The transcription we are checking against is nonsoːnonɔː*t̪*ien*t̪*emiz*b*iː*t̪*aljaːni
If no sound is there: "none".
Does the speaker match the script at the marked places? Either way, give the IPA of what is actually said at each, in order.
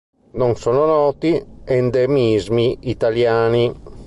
t̪, d̪, m, t̪

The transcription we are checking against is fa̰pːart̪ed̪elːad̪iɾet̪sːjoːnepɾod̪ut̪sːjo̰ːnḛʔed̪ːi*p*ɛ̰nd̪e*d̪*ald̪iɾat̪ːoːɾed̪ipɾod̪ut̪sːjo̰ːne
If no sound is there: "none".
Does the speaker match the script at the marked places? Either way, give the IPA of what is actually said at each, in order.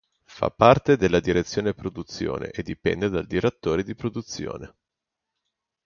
p, d̪

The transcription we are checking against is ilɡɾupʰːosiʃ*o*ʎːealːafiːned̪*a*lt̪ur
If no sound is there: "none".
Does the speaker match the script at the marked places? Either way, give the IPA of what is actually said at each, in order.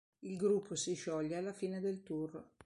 ɔ, e

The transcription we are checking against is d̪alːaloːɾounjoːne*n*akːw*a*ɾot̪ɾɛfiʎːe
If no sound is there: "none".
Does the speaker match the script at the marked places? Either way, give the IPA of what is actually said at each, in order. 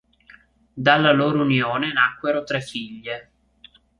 n, e

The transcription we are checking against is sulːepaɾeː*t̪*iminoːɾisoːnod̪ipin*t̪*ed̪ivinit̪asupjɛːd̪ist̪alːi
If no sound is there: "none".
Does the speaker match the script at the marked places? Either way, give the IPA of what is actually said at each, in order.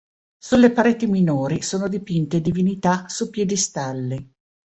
t̪, t̪

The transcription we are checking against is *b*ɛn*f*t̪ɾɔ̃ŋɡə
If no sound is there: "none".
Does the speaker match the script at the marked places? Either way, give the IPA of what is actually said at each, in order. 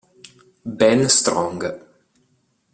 b, s

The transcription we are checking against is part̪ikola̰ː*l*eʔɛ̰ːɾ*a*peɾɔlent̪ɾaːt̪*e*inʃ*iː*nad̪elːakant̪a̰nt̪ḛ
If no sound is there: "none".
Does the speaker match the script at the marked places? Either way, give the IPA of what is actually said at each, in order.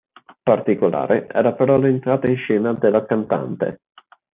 ɾ, a, a, ɛː

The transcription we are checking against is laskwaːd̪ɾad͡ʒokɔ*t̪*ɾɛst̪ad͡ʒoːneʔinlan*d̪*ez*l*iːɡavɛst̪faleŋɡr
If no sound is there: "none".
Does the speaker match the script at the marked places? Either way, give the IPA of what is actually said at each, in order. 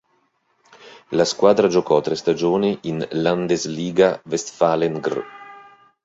t̪, d̪, l

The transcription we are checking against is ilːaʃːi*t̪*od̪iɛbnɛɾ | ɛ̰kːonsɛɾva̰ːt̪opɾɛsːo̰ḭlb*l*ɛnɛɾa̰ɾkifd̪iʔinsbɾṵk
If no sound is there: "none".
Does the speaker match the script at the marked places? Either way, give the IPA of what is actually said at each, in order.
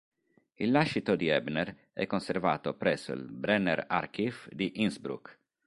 t̪, ɾ

